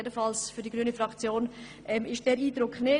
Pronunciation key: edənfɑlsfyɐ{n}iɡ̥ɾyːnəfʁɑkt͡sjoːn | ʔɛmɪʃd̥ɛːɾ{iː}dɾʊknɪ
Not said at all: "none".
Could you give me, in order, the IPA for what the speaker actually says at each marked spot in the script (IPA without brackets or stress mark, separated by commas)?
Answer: d, iː